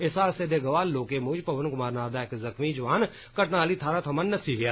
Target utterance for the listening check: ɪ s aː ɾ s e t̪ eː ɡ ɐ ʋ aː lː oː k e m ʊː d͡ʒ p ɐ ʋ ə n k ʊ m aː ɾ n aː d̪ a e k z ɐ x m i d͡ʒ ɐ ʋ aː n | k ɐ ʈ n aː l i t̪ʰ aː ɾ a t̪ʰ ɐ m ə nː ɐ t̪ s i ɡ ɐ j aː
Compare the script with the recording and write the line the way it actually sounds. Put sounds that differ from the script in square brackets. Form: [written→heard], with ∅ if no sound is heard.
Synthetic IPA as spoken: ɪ s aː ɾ s e [t̪→d̪] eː ɡ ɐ ʋ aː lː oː k e m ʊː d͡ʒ p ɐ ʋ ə n k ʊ m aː ɾ n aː d̪ a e k z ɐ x m i d͡ʒ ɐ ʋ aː n | k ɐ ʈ n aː l i t̪ʰ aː ɾ a t̪ʰ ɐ m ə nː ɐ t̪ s i ɡ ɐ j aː

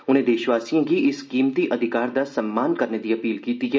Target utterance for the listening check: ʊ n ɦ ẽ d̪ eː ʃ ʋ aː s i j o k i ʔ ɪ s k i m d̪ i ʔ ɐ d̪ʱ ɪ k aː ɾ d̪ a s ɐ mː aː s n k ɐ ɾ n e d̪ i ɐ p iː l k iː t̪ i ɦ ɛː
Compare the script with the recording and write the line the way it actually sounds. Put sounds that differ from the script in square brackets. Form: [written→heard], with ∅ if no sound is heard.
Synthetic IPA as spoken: ʊ n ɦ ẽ d̪ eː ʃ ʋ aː s i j [o→õ] k i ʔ ɪ s k [i→iː] m [d̪→t̪] i ʔ ɐ d̪ʱ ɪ k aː ɾ d̪ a s ɐ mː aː [s→∅] n k ɐ ɾ n e d̪ i ɐ p iː l k iː t̪ i ɦ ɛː

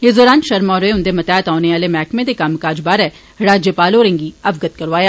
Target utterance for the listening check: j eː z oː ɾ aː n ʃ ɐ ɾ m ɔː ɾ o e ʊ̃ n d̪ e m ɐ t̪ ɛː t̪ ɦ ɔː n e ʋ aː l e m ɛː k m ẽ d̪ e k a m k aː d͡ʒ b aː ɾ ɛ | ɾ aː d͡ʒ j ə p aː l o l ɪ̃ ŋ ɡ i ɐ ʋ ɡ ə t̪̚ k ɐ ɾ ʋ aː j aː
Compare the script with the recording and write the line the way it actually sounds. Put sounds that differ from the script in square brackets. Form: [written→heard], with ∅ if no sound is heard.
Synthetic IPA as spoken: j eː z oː ɾ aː n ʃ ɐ ɾ m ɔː ɾ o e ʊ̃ n d̪ e m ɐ t̪ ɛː t̪ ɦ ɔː n e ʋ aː l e m ɛː k m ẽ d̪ e k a m k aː d͡ʒ b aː ɾ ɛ | ɾ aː d͡ʒ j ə p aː l o [l→ɾ] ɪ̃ ŋ ɡ i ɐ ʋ ɡ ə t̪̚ k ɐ ɾ ʋ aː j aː

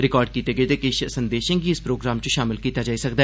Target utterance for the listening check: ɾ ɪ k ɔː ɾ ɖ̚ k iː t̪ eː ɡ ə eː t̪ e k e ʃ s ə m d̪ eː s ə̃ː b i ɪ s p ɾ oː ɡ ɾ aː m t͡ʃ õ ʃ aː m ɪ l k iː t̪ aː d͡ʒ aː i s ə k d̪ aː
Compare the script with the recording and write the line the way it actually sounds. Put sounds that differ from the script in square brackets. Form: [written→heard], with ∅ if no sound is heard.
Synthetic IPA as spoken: ɾ ɪ k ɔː ɾ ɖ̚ k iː t̪ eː ɡ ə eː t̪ e k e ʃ s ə [m→n] d̪ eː [s→ʃ] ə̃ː [b→ɡ] i ɪ s p ɾ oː ɡ ɾ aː m t͡ʃ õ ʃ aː m ɪ l k iː t̪ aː d͡ʒ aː i s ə k d̪ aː

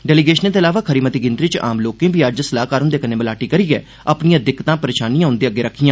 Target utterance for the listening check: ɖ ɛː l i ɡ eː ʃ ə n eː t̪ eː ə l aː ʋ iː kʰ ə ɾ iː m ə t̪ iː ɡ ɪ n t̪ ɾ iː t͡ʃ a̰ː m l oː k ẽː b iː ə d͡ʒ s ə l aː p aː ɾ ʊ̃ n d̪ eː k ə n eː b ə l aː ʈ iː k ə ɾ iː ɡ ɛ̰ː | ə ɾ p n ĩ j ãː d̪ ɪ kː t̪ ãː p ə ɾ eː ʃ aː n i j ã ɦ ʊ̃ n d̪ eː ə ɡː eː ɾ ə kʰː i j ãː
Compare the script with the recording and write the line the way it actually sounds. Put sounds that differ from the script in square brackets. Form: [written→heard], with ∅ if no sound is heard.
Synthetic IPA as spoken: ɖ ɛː l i ɡ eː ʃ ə n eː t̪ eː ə l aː ʋ [iː→aː] kʰ ə ɾ iː m ə t̪ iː ɡ ɪ n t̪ ɾ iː t͡ʃ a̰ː m l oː k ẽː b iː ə d͡ʒ s ə l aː [p→k] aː ɾ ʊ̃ n d̪ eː k ə n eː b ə l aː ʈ iː k ə ɾ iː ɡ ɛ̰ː | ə [ɾ→∅] p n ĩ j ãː d̪ ɪ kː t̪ ãː p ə ɾ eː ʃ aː n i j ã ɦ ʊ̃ n d̪ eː ə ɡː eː ɾ ə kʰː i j ãː

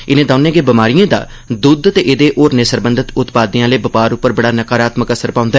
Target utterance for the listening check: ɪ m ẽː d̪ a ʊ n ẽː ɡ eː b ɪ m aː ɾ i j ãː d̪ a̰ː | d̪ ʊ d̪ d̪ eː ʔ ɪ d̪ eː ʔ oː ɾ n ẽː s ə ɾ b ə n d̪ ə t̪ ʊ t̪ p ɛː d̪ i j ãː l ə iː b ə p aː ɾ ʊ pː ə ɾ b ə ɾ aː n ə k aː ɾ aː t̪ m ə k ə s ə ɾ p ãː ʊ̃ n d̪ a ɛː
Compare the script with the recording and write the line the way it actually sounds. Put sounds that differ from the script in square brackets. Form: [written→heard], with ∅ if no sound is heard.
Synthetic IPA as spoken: ɪ [m→n] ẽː d̪ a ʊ n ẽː ɡ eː b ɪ m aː ɾ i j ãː d̪ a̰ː | d̪ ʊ d̪ [d̪→t̪] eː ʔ ɪ d̪ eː ʔ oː ɾ n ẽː s ə ɾ b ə n d̪ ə t̪ ʊ t̪ p [ɛː→aː] d̪ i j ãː l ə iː b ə p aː ɾ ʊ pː ə ɾ b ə [ɾ→ɽ] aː n ə k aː ɾ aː t̪ m ə k ə s ə ɾ p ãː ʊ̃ n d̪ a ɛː

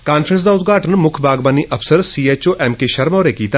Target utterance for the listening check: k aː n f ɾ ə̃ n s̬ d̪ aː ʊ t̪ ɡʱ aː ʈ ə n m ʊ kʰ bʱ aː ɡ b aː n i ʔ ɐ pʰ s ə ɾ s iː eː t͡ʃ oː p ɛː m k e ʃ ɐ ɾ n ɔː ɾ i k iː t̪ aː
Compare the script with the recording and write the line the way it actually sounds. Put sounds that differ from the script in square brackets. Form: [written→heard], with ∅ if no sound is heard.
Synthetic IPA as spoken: k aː n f ɾ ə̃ n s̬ d̪ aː ʊ t̪ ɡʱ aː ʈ ə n m ʊ kʰ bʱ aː ɡ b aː n i ʔ ɐ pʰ s ə ɾ s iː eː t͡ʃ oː [p→ʔ] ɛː m k e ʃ ɐ ɾ [n→m] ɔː ɾ [i→e] k iː t̪ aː

